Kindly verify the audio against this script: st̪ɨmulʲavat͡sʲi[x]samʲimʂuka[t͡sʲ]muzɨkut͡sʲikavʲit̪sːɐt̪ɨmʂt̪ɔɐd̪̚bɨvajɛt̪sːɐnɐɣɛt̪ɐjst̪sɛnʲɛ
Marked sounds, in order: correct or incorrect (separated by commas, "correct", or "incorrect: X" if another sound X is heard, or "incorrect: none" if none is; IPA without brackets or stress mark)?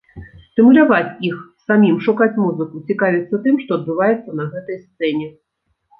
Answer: correct, correct